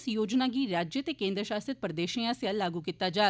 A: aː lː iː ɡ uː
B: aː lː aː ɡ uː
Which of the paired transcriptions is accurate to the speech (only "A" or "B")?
B